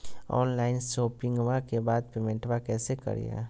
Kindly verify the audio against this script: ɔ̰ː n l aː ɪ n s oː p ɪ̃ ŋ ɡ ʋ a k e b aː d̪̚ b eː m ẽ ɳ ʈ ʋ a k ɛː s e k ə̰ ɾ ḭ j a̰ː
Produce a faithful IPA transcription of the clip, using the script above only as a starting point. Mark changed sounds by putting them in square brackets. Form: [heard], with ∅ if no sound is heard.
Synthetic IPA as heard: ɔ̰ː n l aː ɪ n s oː p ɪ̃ ŋ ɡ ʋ a k e b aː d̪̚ [p] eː m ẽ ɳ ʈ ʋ a k ɛː s e k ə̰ ɾ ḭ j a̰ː